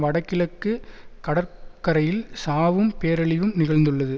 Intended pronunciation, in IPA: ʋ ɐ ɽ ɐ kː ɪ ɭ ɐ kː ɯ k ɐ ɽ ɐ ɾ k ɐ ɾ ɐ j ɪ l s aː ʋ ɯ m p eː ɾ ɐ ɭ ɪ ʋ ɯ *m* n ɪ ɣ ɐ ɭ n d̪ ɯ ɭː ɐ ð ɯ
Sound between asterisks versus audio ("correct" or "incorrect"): correct